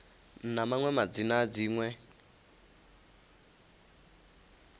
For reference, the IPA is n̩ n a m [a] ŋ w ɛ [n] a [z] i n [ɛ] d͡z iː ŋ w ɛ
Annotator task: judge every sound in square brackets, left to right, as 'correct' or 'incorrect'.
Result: correct, incorrect: m, incorrect: d͡z, incorrect: a

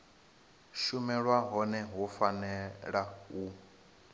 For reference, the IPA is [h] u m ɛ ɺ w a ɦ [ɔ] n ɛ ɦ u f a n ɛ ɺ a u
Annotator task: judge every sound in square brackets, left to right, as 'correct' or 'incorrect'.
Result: incorrect: ʃ, correct

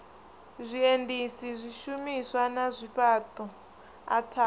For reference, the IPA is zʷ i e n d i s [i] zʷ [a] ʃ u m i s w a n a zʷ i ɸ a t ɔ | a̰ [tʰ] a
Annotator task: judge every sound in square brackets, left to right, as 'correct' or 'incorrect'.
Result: correct, incorrect: i, correct

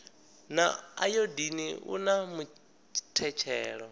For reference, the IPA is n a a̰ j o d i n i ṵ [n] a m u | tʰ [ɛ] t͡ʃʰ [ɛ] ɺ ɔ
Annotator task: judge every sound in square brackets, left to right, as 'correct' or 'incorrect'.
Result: correct, correct, incorrect: ɛː

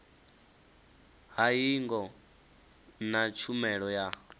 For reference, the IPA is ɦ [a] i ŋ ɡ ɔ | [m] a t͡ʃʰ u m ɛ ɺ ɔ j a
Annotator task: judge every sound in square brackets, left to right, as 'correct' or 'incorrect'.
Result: correct, incorrect: n

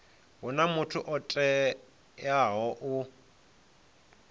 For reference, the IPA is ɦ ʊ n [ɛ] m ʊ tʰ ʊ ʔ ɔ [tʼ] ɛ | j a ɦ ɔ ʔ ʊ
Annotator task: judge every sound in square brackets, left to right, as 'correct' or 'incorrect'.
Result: incorrect: a, correct

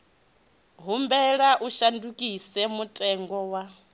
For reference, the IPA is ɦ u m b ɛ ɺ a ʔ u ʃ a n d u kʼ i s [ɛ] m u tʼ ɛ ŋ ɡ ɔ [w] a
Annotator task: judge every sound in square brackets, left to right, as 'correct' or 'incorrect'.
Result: correct, correct

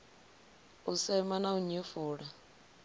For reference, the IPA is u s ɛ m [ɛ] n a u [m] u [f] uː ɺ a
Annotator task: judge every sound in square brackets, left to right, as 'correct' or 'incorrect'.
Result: incorrect: a, incorrect: ɲ, correct

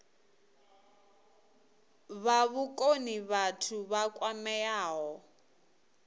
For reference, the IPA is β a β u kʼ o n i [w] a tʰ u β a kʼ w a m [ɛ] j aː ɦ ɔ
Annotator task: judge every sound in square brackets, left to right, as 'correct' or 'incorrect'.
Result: incorrect: β, correct

